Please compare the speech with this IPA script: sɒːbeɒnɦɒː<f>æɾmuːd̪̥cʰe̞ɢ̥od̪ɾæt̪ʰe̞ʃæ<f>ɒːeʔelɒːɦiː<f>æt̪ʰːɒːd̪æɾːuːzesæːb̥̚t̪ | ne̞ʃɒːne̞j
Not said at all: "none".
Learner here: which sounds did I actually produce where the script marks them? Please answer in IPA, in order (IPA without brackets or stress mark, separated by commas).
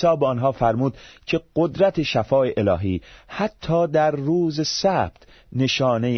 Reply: f, f, h